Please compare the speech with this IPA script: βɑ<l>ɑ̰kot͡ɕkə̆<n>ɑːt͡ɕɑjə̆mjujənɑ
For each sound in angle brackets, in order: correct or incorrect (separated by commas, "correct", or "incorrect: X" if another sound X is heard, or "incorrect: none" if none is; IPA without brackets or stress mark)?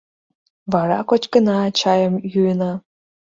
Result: incorrect: ɾ, correct